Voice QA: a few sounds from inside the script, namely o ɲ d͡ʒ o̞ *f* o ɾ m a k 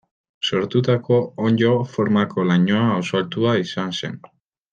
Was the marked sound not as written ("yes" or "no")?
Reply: no